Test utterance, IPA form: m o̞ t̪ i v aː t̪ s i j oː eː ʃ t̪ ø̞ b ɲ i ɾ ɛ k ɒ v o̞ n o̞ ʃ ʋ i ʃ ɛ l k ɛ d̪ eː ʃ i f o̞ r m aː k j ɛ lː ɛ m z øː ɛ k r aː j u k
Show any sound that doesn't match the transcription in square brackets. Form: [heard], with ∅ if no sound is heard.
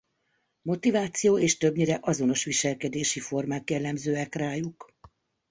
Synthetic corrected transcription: m o̞ t̪ i v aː t̪ s i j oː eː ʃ t̪ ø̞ b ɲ i ɾ ɛ [ʔ] ɒ [z] o̞ n o̞ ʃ ʋ i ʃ ɛ l k ɛ d̪ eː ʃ i f o̞ r m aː k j ɛ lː ɛ m z øː ɛ k r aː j u k